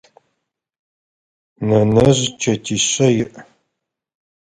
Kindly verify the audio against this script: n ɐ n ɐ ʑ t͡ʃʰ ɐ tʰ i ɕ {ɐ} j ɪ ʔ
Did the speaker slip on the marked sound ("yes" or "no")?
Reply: no